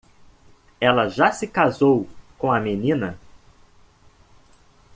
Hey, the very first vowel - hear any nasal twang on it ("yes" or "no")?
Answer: no